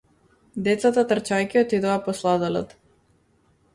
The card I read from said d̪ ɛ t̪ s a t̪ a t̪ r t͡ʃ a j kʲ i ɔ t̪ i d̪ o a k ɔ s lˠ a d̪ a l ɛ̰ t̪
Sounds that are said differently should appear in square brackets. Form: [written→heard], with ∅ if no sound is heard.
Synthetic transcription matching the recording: d̪ ɛ t̪ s a t̪ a t̪ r t͡ʃ a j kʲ i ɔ t̪ i d̪ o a [k→p] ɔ s lˠ a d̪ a l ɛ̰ t̪